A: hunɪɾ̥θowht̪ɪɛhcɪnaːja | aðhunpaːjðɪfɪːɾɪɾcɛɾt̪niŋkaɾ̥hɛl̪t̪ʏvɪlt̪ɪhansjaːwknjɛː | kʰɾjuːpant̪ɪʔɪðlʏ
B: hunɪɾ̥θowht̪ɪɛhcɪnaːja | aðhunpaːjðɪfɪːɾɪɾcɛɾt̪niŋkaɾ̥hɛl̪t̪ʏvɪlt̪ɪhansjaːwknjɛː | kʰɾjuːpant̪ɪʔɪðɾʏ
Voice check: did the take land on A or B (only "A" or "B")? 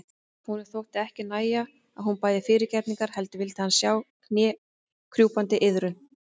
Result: B